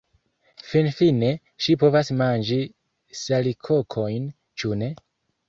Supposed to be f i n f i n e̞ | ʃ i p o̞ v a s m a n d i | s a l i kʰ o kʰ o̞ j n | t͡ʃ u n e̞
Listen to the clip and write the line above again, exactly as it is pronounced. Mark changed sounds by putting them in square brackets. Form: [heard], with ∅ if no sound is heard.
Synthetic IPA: f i n f i n e̞ | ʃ i p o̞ v a s m a n [d͡ʒ] i | s a l i kʰ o kʰ o̞ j n | t͡ʃ u n e̞